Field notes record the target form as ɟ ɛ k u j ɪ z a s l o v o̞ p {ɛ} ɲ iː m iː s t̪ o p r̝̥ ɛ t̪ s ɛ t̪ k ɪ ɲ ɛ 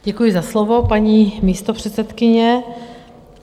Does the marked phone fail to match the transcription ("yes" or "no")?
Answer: yes